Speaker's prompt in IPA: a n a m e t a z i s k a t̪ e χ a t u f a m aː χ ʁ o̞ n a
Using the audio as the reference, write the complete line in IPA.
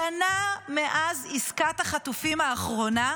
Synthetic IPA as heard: a n a m e ʔ a z i s k a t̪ a χ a t u f i m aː χ ʁ o̞ n a